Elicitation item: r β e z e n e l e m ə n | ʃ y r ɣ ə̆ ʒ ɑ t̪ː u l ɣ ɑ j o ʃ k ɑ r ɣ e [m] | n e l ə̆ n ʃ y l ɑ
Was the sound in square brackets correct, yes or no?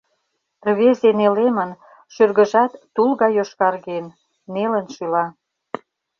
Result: no